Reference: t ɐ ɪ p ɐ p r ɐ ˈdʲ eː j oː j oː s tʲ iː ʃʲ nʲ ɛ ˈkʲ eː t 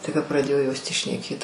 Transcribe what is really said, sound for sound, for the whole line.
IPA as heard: t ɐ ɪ k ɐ p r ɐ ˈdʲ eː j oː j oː s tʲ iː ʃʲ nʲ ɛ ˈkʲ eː t

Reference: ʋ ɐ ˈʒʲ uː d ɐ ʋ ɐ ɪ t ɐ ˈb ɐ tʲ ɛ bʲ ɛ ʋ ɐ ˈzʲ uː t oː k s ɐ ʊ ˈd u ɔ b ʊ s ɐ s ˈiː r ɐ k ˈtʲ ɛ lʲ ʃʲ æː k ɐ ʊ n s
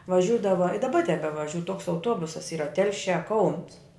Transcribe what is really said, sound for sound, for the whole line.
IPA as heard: ʋ ɐ ˈʒʲ uː d ɐ ʋ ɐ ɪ d ɐ ˈb ɐ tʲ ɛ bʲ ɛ ʋ ɐ ˈʒʲ uː t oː k s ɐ ʊ ˈt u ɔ b ʊ s ɐ s ˈiː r ɐ ˈtʲ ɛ lʲ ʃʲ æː k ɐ ʊ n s

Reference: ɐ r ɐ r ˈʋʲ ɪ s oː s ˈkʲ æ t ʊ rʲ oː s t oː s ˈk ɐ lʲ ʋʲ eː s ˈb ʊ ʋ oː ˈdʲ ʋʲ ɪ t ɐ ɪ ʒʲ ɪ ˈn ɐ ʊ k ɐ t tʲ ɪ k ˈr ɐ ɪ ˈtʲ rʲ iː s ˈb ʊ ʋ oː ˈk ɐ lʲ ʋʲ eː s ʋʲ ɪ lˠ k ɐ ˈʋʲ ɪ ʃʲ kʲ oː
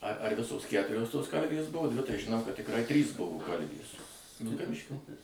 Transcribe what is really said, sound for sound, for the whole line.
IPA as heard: ɐ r ɐ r ˈʋʲ ɪ s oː s ˈkʲ æ t ʊ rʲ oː s t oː s ˈk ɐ lʲ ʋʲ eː s ˈb ʊ ʋ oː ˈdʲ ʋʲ ɪ t ɐ ɪ ʒʲ ɪ ˈn ɐ ʊ k ɐ t tʲ ɪ k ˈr ɐ ɪ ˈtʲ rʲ iː s ˈb ʊ ʋ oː ˈk ɐ lʲ ʋʲ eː s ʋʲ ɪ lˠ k ɐ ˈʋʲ ɪ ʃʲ kʲ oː

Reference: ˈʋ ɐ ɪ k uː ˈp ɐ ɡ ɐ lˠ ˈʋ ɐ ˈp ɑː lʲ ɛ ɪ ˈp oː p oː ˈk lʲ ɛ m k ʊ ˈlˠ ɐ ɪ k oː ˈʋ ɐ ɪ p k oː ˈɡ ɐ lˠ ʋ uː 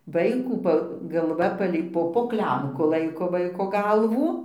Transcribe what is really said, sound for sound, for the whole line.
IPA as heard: ˈʋ ɐ ɪ k uː ˈp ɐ ɡ ɐ lˠ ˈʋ ɐ ˈp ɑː lʲ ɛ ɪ ˈp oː p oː ˈk lʲ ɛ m k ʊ ˈlˠ ɐ ɪ k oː ˈʋ ɐ ɪ k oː ˈɡ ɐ lˠ ʋ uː

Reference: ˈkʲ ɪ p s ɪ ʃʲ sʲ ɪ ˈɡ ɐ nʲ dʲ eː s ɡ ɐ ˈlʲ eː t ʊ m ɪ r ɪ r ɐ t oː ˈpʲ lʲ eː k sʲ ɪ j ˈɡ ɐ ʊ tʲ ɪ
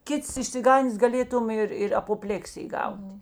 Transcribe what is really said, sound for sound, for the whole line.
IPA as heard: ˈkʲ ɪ t s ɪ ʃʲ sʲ ɪ ˈɡ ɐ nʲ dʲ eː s ɡ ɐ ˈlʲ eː t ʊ m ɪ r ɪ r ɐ p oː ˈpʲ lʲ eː k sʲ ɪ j ˈɡ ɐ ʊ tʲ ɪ

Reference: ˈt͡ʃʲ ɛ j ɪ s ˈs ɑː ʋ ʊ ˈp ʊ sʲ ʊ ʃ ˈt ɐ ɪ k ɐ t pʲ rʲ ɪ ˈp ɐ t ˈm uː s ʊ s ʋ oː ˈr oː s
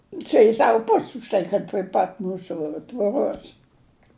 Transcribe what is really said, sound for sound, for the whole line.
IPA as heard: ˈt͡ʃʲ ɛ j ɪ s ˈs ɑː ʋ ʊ ˈp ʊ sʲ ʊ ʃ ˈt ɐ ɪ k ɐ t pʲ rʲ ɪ ˈp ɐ t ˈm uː s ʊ t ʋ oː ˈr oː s

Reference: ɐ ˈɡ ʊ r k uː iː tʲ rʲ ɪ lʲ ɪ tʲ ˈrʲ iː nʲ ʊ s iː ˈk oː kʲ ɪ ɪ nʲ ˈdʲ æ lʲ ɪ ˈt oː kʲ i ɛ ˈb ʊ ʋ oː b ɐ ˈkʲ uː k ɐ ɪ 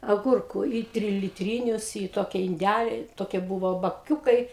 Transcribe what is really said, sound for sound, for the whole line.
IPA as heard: ɐ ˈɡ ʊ r k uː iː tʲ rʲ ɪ lʲ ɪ tʲ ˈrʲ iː nʲ ʊ s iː ˈt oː kʲ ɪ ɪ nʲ ˈdʲ æ lʲ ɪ ˈt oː kʲ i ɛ ˈb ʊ ʋ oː b ɐ ˈkʲ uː k ɐ ɪ

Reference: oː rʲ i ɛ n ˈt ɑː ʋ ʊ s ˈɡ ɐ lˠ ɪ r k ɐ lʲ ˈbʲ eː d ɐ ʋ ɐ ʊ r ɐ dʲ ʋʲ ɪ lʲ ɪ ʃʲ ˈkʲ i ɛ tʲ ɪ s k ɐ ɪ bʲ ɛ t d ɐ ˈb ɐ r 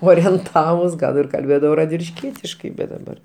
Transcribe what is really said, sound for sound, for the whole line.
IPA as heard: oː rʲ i ɛ n ˈt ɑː ʋ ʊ s ˈɡ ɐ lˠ ɪ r k ɐ lʲ ˈbʲ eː d ɐ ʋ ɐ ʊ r ɐ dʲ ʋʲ ɪ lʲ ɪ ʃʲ ˈkʲ i ɛ tʲ ɪ ʃ k ɐ ɪ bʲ ɛ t d ɐ ˈb ɐ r

